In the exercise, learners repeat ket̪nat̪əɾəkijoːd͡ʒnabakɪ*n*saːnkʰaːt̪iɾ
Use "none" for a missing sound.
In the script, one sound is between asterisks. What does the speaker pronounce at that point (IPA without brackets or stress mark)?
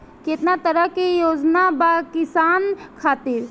none